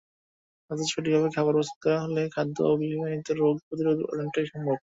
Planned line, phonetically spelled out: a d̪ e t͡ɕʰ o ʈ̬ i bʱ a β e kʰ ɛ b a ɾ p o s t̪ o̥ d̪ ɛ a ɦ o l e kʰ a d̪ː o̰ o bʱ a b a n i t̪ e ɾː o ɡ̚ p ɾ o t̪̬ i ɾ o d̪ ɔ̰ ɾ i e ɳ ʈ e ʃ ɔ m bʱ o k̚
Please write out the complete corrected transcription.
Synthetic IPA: a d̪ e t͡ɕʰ o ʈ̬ i bʱ a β e kʰ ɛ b a ɾ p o s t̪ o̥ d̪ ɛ a ɦ o l e kʰ a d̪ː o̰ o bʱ i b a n i t̪ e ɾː o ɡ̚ p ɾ o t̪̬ i ɾ o d̪ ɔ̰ ɾ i e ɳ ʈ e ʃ ɔ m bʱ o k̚